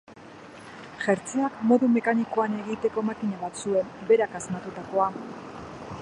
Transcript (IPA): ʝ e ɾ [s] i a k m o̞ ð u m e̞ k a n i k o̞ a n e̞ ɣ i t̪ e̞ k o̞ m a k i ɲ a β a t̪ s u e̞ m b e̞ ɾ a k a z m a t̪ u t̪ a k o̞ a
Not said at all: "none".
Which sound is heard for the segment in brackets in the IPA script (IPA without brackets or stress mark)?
t͡s